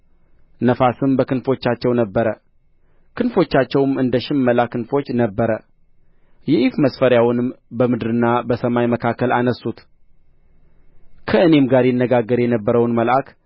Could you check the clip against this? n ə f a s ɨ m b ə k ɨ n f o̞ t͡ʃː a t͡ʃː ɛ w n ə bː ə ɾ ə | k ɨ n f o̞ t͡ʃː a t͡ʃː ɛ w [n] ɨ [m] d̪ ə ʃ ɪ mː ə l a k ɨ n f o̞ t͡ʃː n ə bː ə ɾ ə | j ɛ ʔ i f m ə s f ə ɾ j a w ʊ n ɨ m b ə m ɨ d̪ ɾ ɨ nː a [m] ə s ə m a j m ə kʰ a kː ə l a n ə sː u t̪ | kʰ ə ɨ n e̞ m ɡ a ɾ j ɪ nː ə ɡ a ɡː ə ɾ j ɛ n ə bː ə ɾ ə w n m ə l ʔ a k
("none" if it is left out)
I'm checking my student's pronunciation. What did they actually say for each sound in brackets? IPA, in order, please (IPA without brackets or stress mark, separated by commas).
m, n, b